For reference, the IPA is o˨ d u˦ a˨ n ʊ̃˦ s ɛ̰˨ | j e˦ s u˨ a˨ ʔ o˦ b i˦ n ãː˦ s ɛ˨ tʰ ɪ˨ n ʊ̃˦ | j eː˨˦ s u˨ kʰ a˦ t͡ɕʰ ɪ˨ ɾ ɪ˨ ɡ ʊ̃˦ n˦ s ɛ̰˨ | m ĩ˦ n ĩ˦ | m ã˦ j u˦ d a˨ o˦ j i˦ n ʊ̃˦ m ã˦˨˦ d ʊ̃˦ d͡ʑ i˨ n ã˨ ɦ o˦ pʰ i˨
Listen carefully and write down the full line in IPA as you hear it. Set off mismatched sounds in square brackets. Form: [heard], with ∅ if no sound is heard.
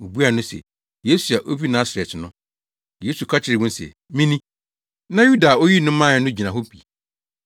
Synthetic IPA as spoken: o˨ [b] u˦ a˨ n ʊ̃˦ s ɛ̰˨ | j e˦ s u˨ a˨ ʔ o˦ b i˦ n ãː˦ s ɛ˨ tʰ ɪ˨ n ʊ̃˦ | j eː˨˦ s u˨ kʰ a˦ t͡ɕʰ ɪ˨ ɾ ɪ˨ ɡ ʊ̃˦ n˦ s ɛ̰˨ | m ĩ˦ n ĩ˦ | [n] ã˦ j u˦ d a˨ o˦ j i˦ n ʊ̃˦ m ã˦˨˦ [n] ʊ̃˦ d͡ʑ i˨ n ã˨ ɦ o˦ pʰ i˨